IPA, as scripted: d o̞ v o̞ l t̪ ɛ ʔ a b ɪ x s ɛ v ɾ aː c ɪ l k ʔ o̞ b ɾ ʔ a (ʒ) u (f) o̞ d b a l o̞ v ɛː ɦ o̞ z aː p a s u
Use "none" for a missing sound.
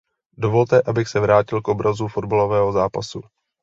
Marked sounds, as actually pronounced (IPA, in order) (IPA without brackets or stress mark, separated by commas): z, f